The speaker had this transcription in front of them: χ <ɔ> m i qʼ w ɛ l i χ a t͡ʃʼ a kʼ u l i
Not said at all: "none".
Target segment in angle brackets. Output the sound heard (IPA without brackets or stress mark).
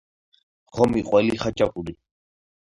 ɔ